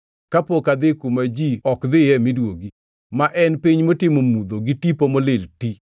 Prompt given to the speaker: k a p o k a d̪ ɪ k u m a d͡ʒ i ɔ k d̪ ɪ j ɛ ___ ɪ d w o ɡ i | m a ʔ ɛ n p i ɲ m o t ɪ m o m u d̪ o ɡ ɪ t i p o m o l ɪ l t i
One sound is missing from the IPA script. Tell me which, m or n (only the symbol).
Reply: m